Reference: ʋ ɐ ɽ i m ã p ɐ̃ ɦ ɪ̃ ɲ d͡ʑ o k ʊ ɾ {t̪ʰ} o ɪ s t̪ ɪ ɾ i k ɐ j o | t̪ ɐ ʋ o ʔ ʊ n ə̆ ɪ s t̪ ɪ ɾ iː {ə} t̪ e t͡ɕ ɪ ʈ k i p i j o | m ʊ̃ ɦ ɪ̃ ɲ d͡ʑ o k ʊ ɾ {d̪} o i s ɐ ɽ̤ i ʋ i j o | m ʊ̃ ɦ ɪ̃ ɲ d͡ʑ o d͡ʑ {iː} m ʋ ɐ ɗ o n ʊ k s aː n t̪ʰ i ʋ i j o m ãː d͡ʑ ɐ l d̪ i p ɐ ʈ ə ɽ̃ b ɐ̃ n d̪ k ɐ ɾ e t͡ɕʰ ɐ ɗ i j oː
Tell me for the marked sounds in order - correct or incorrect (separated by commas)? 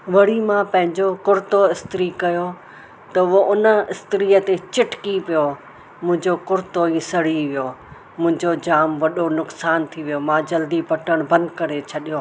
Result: incorrect, correct, incorrect, incorrect